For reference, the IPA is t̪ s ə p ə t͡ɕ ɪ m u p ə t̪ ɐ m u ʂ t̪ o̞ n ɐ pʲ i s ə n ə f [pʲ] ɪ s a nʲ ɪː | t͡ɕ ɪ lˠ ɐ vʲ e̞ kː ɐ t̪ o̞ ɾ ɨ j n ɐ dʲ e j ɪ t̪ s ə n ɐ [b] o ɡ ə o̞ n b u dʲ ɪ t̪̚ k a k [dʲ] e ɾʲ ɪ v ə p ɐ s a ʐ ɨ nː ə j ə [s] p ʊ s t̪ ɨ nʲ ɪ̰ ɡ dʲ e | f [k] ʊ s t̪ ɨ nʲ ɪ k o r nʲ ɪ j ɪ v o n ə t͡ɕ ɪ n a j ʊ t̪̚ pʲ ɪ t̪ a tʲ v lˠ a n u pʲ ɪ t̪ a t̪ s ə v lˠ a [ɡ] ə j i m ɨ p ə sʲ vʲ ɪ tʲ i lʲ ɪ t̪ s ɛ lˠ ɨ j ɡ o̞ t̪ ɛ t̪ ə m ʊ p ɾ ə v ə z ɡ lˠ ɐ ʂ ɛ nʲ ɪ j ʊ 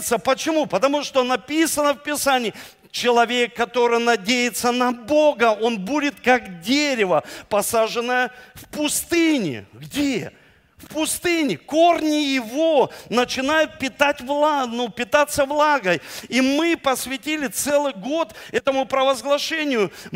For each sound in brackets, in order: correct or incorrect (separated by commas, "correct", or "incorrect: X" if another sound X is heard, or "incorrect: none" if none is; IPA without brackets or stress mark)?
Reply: correct, correct, correct, incorrect: f, incorrect: p, correct